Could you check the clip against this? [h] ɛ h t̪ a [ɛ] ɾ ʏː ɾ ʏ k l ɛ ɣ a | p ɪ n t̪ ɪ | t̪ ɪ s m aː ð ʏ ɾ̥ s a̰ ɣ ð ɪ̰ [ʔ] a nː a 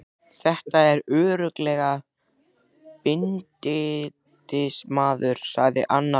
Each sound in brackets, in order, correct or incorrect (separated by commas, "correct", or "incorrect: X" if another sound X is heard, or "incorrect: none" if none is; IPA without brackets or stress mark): incorrect: θ, correct, correct